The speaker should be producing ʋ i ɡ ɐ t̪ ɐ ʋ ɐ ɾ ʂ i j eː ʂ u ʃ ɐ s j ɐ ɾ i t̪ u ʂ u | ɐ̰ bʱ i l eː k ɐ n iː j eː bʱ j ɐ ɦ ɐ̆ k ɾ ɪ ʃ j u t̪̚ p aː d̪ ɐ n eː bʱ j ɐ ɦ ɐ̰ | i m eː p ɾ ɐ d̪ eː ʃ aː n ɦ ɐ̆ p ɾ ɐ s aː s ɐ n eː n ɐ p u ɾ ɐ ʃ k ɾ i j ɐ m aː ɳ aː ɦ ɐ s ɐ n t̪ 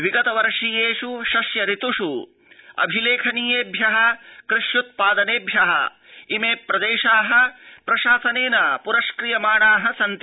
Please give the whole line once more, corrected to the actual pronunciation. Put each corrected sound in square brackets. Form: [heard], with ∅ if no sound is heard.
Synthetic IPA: ʋ i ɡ ɐ t̪ ɐ ʋ ɐ ɾ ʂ i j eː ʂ u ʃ ɐ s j ɐ ɾ i t̪ u ʂ u | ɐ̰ bʱ i l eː [kʰ] ɐ n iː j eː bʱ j ɐ ɦ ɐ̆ k ɾ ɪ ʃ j u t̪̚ p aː d̪ ɐ n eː bʱ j ɐ ɦ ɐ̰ | i m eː p ɾ ɐ d̪ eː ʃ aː [∅] ɦ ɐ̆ p ɾ ɐ [ʃ] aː s ɐ n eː n ɐ p u ɾ ɐ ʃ k ɾ i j ɐ m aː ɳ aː ɦ ɐ s ɐ n t̪

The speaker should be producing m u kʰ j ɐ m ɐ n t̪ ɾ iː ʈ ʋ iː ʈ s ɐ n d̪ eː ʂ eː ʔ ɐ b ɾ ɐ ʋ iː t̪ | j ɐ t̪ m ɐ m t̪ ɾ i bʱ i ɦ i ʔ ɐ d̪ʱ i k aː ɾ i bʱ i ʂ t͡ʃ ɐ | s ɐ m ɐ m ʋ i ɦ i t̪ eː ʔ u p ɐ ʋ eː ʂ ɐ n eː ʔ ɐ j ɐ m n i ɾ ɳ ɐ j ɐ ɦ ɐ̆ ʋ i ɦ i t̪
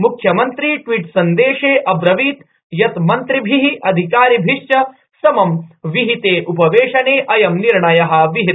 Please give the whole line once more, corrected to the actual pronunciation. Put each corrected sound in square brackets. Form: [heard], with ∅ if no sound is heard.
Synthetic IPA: m u kʰ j ɐ m ɐ n t̪ ɾ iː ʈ ʋ iː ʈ s ɐ n d̪ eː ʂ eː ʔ ɐ b ɾ ɐ ʋ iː t̪ | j ɐ t̪ m ɐ [n] t̪ ɾ i bʱ i ɦ i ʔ ɐ d̪ʱ i k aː ɾ i bʱ i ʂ t͡ʃ ɐ | s ɐ m ɐ m ʋ i ɦ i t̪ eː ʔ u p ɐ ʋ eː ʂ ɐ n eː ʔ ɐ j ɐ m n i ɾ ɳ ɐ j ɐ ɦ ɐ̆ ʋ i ɦ i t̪

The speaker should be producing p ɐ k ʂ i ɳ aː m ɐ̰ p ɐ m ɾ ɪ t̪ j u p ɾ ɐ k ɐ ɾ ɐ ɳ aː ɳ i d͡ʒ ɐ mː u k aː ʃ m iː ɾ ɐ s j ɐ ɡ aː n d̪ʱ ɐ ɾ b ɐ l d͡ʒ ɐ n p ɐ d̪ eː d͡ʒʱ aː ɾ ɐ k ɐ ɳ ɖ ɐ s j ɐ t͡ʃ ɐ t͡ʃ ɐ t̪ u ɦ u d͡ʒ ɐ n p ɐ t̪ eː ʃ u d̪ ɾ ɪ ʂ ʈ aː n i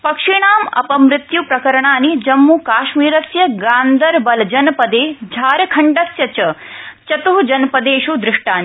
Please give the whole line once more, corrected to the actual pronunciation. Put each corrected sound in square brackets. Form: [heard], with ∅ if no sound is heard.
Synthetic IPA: p ɐ k ʂ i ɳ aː m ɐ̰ p ɐ m ɾ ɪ t̪ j u p ɾ ɐ k ɐ ɾ ɐ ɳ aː [n] i d͡ʒ ɐ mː u k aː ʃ m iː ɾ ɐ s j ɐ ɡ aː n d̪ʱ ɐ ɾ b ɐ l d͡ʒ ɐ n p ɐ d̪ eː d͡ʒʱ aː ɾ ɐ [kʰ] ɐ ɳ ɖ ɐ s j ɐ t͡ʃ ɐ t͡ʃ ɐ t̪ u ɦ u d͡ʒ ɐ n p ɐ [d̪] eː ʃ u d̪ ɾ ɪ ʂ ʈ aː n i

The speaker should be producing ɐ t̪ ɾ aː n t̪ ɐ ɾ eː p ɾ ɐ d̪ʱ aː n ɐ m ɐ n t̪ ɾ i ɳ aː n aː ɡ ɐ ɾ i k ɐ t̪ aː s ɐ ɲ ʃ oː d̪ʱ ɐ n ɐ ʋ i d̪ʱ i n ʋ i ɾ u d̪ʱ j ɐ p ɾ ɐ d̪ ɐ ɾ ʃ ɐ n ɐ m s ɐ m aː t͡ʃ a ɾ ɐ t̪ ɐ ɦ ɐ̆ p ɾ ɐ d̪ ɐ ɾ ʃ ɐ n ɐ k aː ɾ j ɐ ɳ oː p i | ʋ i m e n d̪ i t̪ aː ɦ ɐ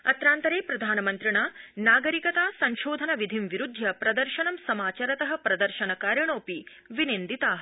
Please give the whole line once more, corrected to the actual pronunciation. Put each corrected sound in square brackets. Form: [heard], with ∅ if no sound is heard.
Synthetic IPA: ɐ t̪ ɾ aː n t̪ ɐ ɾ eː p ɾ ɐ d̪ʱ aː n ɐ m ɐ n t̪ ɾ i ɳ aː n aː ɡ ɐ ɾ i k ɐ t̪ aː s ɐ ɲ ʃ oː d̪ʱ ɐ n ɐ ʋ i d̪ʱ i [m] ʋ i ɾ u d̪ʱ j ɐ p ɾ ɐ d̪ ɐ ɾ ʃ ɐ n ɐ m s ɐ m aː t͡ʃ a ɾ ɐ t̪ ɐ ɦ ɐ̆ p ɾ ɐ d̪ ɐ ɾ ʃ ɐ n ɐ k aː ɾ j ɐ ɳ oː p i | ʋ i [n] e n d̪ i t̪ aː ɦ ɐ

